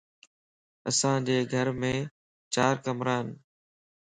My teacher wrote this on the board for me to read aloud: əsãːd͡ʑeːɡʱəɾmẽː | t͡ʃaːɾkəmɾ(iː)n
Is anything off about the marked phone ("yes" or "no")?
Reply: yes